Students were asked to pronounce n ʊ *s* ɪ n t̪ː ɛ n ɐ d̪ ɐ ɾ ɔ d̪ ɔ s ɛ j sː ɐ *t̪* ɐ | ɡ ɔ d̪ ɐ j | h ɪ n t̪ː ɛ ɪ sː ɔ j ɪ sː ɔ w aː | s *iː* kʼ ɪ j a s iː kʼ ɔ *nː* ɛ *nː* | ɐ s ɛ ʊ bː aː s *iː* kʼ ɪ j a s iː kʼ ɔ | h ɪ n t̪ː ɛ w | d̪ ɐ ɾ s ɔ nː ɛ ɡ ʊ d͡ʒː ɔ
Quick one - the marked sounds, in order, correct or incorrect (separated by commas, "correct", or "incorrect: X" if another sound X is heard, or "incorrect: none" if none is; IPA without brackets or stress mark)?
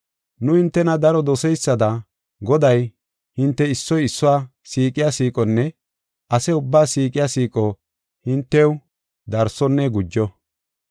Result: incorrect: h, incorrect: d̪, correct, correct, incorrect: none, correct